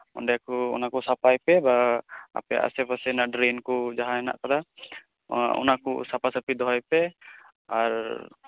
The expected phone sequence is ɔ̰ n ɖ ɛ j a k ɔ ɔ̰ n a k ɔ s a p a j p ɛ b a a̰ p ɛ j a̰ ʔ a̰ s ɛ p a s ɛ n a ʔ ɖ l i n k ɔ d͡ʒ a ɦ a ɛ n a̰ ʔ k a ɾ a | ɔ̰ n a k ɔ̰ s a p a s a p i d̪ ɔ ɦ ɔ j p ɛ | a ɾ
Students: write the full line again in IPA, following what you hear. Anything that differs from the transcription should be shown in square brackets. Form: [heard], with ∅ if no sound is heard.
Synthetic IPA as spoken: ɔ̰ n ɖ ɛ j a k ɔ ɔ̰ n a k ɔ s a p a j p ɛ b a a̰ p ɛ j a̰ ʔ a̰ s ɛ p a s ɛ n a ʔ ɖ [ɾ] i n k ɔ d͡ʒ a ɦ a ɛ n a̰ ʔ k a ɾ a | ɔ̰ n a k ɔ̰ s a p a s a p i d̪ ɔ ɦ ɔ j p ɛ | a ɾ